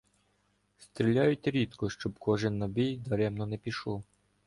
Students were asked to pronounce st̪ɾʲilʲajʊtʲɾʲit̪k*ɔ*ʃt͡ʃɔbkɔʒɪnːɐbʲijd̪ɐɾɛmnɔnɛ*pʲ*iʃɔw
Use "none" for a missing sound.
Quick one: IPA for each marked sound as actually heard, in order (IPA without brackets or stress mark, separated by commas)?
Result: ɔ, pʲ